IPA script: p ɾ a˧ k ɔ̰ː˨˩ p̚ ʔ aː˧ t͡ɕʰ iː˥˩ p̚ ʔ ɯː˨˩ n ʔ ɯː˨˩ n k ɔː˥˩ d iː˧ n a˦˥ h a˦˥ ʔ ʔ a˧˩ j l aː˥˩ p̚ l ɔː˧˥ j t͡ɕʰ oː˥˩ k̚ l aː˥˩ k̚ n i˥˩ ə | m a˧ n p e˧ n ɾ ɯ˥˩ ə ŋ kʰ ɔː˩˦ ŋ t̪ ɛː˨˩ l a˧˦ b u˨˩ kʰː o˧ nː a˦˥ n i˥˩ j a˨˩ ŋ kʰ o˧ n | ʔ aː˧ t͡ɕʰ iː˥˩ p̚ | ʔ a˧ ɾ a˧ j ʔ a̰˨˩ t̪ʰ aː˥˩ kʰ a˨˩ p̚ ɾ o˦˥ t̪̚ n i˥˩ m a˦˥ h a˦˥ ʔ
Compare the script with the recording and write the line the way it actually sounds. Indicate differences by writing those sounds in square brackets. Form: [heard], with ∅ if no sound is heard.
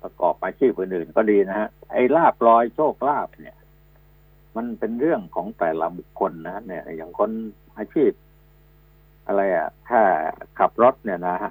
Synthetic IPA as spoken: p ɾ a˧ k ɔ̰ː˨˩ p̚ ʔ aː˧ t͡ɕʰ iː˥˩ p̚ ʔ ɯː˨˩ n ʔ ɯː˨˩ n k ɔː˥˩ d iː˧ n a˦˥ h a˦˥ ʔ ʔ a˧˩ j l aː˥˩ p̚ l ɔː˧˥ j t͡ɕʰ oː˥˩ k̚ l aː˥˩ [p̚] n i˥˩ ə | m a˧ n p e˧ n ɾ ɯ˥˩ ə ŋ kʰ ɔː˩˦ ŋ t̪ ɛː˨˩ l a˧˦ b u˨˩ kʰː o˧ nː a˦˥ n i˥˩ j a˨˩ ŋ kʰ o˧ n | ʔ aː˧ t͡ɕʰ iː˥˩ p̚ | ʔ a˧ ɾ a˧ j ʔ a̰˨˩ t̪ʰ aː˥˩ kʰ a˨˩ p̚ ɾ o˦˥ t̪̚ n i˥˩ [n] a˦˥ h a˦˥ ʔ